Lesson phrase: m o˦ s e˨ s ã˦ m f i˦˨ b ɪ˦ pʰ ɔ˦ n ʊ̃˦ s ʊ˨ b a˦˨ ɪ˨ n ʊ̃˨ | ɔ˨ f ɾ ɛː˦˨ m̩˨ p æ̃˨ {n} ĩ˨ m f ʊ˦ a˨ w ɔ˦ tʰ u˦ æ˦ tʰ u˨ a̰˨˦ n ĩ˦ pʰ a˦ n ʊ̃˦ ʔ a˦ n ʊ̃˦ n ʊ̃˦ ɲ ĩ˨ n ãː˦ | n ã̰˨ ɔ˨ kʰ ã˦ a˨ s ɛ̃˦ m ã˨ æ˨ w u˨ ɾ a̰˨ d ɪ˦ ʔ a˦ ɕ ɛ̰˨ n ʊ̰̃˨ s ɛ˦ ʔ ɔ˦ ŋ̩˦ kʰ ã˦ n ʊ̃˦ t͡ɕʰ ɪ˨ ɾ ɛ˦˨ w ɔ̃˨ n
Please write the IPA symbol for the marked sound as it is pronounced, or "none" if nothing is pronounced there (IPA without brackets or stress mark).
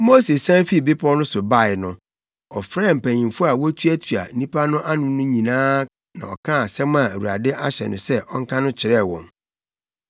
ɲ